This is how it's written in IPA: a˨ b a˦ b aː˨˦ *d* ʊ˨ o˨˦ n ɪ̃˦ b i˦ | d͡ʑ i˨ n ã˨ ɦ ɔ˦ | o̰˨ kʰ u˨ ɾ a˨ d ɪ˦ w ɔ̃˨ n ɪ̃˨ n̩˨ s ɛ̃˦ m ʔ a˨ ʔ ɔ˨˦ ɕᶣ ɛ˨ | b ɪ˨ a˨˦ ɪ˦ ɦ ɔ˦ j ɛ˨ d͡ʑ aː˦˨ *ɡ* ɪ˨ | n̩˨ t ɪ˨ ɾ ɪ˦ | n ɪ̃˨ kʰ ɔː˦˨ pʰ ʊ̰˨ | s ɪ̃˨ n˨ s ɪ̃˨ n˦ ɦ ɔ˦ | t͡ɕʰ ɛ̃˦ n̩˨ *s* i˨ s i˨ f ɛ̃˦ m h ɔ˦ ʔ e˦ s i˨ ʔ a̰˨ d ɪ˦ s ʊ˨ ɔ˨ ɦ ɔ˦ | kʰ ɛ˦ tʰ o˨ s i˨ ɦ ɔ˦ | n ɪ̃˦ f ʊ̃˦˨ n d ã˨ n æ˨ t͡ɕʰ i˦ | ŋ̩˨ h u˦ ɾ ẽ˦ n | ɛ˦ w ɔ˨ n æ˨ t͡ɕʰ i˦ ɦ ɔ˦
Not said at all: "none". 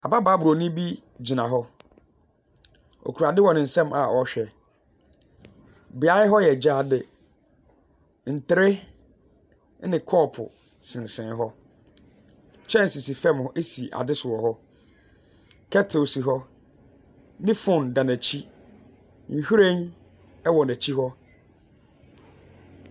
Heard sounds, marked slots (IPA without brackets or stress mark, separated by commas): b, d, s